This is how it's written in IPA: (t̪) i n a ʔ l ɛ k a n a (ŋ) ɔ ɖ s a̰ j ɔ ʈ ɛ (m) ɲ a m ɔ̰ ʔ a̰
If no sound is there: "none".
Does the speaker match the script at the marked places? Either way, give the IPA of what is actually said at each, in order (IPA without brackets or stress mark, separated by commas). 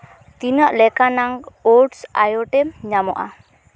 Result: t̪, ŋ, m